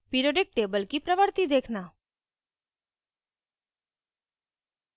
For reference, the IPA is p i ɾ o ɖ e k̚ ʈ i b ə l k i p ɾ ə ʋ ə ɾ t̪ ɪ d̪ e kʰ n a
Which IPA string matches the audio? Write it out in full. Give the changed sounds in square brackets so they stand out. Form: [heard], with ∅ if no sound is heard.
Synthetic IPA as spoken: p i ɾ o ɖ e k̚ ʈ [e] b ə l k i p ɾ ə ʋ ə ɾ t̪ [i] d̪ e kʰ n a